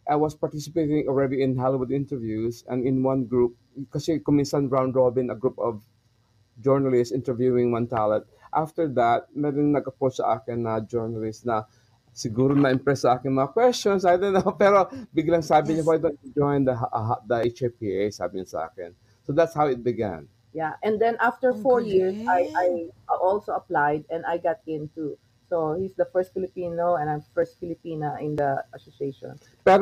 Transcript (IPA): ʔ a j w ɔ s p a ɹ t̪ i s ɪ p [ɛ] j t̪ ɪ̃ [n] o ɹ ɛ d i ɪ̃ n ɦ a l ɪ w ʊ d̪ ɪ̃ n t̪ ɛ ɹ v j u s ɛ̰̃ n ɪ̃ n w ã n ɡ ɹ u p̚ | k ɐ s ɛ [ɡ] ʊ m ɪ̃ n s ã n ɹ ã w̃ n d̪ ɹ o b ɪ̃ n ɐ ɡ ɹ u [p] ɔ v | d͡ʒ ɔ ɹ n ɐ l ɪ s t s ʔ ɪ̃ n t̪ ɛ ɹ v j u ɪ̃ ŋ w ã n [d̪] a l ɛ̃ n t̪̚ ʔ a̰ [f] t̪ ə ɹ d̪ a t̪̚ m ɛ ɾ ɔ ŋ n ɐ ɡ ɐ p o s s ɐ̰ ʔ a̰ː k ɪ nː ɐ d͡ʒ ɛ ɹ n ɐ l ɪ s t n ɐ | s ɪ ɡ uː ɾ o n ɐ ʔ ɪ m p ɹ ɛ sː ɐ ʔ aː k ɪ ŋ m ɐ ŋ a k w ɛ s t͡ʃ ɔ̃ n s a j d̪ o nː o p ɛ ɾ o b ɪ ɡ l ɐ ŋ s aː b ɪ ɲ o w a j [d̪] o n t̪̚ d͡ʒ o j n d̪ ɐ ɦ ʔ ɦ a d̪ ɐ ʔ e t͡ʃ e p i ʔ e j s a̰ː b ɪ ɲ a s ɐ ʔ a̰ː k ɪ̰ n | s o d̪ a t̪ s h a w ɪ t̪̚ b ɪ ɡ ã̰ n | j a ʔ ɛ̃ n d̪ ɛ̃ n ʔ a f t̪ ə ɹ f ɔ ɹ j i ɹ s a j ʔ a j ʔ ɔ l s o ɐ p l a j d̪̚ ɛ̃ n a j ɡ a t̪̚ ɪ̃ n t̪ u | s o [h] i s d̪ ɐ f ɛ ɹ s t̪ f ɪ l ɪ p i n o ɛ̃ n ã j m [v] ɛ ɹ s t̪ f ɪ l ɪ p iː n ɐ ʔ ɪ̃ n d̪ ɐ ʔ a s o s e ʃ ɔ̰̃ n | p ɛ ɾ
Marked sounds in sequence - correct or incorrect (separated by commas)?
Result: incorrect, incorrect, incorrect, correct, incorrect, correct, correct, correct, incorrect